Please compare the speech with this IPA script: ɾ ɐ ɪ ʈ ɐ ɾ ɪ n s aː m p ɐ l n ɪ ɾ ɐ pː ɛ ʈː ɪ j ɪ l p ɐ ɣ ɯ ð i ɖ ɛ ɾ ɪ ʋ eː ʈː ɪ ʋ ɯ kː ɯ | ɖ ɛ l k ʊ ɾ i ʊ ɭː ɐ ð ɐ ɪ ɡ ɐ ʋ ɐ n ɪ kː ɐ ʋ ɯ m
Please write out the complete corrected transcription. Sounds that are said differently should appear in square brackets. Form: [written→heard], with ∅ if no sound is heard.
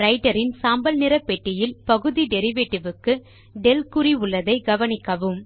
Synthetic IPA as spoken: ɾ ɐ ɪ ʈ ɐ ɾ ɪ n s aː m [p→b] ɐ l n ɪ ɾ ɐ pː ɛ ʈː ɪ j ɪ l p ɐ ɣ ɯ ð i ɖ ɛ ɾ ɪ ʋ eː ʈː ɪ ʋ ɯ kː ɯ | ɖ ɛ l k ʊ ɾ i ʊ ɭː ɐ ð ɐ ɪ ɡ ɐ ʋ ɐ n ɪ kː ɐ ʋ ɯ m